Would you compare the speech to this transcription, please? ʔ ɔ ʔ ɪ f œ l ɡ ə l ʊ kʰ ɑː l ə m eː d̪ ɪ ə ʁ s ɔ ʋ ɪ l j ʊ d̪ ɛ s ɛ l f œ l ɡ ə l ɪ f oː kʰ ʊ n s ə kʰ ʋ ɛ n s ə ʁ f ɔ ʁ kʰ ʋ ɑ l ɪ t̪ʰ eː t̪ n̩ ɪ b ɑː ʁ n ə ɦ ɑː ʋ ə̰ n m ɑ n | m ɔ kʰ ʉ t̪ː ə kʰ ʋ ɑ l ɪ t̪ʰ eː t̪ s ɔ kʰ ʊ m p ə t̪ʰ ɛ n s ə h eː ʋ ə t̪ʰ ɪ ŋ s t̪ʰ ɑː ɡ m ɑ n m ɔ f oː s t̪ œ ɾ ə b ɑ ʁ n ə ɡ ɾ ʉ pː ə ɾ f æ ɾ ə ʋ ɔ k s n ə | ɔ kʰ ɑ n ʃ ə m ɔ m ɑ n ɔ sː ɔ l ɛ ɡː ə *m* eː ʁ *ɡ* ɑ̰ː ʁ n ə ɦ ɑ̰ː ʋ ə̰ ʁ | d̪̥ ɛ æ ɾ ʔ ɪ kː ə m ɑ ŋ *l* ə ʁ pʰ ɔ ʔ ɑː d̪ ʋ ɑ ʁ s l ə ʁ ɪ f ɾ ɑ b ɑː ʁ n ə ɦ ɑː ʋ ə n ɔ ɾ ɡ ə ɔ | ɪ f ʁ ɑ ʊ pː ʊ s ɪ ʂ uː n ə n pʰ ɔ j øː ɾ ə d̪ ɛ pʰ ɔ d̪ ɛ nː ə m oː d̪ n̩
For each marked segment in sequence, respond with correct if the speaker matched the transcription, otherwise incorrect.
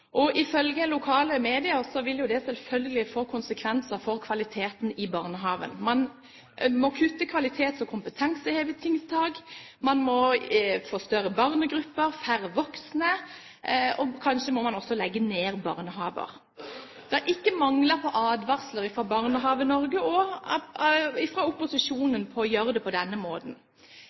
incorrect, incorrect, correct

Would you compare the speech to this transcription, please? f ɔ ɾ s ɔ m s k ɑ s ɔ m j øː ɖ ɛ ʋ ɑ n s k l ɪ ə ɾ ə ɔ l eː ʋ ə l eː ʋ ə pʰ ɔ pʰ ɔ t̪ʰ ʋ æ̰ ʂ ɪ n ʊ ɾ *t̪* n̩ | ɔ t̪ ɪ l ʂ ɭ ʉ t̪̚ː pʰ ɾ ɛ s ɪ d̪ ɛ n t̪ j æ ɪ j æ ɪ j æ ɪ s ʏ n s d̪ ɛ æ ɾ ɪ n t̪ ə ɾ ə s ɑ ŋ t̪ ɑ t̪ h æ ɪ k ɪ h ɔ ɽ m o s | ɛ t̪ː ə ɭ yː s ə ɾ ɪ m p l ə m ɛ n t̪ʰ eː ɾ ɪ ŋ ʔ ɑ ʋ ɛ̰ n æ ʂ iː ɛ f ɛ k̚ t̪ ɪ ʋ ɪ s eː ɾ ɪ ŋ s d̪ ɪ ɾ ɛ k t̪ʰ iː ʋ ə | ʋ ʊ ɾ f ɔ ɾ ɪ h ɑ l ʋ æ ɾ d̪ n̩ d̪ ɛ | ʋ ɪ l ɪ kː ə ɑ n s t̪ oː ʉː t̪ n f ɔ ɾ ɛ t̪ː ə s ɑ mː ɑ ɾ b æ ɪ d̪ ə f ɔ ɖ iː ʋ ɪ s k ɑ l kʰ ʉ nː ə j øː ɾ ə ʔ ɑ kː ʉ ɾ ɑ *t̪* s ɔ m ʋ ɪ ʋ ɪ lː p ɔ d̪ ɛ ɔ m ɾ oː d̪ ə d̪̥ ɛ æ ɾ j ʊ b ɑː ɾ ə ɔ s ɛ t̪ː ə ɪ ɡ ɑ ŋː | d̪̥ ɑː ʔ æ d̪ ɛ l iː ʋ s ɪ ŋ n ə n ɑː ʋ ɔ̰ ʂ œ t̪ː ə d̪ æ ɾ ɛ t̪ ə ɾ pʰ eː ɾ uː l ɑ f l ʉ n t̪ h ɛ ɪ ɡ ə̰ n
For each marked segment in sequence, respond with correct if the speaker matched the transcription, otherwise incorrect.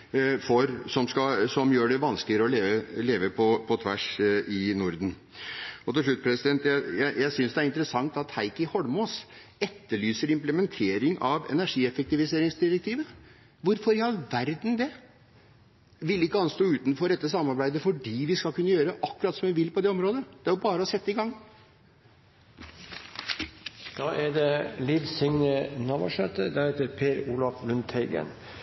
incorrect, correct

